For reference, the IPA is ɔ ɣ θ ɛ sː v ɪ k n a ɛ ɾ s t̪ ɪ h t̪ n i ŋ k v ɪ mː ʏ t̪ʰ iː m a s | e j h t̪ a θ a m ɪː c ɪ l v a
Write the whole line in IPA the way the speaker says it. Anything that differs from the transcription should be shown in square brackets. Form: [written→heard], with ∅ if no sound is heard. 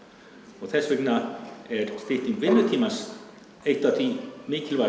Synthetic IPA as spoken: ɔ ɣ θ ɛ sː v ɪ k n a ɛ ɾ s t̪ ɪ h t̪ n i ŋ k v ɪ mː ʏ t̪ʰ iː m a s | e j h t̪ a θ [a→i] m ɪː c ɪ l v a